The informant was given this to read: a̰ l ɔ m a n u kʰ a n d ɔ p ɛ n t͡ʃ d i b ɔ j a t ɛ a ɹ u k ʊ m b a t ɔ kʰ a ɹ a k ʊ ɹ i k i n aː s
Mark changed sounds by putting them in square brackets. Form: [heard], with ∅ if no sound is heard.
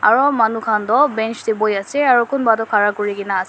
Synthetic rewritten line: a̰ [ɹ] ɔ m a n u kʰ a n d ɔ [b] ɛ n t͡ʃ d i b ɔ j a [s] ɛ a ɹ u k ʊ [n] b a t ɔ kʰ a ɹ a k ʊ ɹ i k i n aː s